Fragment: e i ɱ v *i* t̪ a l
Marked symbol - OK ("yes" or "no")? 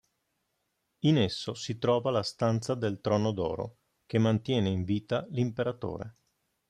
no